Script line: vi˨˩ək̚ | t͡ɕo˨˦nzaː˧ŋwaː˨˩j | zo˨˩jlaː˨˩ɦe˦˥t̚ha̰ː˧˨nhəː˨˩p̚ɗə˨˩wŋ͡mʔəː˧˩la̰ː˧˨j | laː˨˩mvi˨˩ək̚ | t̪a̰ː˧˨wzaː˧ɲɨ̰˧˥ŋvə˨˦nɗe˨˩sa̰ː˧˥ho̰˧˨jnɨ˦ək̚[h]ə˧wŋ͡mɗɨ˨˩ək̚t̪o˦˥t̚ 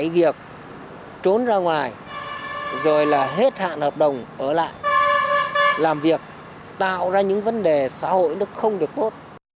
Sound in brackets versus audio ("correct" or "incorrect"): incorrect